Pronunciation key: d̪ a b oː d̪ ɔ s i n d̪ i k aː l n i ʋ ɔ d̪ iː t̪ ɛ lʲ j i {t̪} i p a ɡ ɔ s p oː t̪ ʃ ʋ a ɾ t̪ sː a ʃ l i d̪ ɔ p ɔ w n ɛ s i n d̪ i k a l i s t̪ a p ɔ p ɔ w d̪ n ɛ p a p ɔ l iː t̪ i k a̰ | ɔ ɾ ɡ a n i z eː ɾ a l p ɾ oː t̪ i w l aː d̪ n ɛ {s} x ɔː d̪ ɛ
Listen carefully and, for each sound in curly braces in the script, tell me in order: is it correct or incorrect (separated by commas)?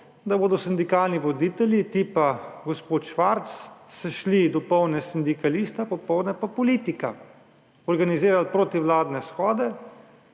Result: correct, correct